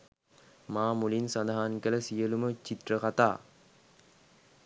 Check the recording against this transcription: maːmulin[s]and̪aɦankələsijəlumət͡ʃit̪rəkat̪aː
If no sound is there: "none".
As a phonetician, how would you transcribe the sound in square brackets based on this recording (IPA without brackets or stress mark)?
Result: s